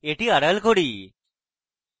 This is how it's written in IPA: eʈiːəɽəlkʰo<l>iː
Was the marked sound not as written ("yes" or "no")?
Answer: yes